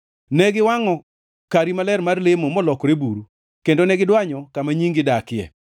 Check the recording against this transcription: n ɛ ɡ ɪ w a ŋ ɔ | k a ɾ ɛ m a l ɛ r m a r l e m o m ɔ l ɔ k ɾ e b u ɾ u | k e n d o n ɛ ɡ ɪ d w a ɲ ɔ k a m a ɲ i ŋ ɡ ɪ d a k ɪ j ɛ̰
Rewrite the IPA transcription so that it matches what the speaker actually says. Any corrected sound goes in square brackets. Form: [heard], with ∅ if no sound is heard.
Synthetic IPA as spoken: n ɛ ɡ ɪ w a ŋ ɔ | k a ɾ [i] m a l ɛ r m a r l e m o m ɔ l ɔ k ɾ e b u ɾ u | k e n d o n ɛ ɡ ɪ d w a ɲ ɔ k a m a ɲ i ŋ ɡ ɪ d a k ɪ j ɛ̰